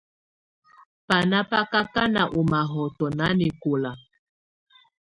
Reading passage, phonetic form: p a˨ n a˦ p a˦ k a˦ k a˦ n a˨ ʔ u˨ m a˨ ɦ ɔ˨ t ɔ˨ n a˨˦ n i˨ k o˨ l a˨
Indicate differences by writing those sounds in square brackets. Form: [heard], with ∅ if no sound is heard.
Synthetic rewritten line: p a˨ n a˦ p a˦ k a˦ k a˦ n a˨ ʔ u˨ m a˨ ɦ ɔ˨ t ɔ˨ n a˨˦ n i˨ k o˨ l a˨